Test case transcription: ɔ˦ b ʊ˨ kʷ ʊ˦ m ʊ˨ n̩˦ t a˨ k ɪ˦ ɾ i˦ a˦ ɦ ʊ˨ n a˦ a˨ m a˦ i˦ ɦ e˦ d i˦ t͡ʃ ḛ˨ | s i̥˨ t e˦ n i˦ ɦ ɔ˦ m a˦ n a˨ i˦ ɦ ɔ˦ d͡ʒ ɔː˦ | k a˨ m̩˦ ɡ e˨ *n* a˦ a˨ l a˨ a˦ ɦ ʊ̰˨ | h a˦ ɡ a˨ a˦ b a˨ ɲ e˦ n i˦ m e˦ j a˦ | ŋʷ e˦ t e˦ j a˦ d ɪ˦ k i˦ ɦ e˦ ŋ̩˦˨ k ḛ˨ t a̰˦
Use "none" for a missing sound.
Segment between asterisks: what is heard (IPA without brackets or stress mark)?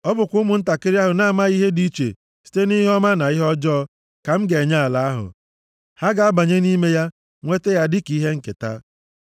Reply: ɲ